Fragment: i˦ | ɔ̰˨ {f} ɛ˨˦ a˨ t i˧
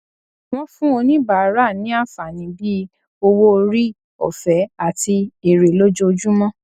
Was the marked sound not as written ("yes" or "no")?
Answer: no